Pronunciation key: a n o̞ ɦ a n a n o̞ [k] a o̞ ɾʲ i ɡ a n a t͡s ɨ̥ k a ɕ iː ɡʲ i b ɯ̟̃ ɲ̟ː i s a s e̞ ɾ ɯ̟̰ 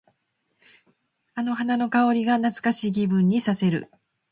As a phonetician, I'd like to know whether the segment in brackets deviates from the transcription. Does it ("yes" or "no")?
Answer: no